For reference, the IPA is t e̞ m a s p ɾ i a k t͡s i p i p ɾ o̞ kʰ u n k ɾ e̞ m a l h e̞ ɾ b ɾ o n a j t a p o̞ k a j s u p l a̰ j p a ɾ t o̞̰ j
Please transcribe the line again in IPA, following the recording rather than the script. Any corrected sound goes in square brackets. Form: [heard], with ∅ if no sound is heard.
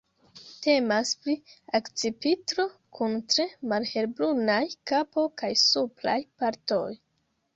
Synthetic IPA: t e̞ m a s p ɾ i a k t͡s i p i [t] ɾ o̞ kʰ u n [t] ɾ e̞ m a l h e̞ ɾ b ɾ [u] n a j [k] a p o̞ k a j s u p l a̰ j p a ɾ t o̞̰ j